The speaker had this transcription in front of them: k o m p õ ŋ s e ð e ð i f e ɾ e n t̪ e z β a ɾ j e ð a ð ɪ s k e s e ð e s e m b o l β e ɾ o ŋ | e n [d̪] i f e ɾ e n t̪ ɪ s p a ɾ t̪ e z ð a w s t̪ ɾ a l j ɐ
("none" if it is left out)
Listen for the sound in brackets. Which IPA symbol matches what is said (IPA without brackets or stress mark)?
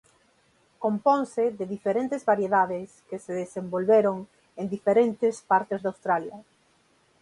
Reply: d̪